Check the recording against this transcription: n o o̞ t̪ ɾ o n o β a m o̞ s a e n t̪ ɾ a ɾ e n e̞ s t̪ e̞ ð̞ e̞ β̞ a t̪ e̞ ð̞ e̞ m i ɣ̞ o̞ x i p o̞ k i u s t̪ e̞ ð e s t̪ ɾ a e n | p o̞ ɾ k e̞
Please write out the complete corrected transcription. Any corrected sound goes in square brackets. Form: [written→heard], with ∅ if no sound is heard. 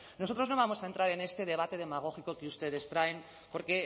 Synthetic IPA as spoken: n o o̞ t̪ ɾ o n o β a m o̞ s a e n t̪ ɾ a ɾ e n e̞ s t̪ e̞ ð̞ e̞ β̞ a t̪ e̞ ð̞ e̞ m [i→a] ɣ̞ o̞ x i [p→k] o̞ k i u s t̪ e̞ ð e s t̪ ɾ a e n | p o̞ ɾ k e̞